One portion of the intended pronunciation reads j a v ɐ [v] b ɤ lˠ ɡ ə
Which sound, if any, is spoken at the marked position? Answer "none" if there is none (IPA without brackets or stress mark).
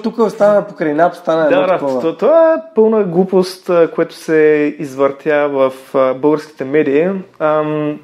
f